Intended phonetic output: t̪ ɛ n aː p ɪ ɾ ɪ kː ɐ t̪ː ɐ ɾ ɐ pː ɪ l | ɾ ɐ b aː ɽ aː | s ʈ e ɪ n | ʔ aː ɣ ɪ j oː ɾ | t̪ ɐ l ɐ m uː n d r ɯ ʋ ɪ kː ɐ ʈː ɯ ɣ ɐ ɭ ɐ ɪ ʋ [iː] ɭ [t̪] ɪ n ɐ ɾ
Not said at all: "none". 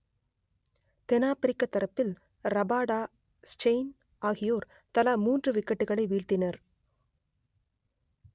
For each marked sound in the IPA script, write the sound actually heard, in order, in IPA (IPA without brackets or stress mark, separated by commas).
iː, t̪